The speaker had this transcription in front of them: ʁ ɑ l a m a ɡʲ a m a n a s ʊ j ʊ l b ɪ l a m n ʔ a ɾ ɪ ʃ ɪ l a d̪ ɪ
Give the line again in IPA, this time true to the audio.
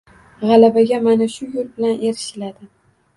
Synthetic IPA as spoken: ʁ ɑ l a b a ɡʲ a m a n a ʃ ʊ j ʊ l b ɪ l a n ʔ e ɾ ɪ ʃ ɪ l a d̪ ɪ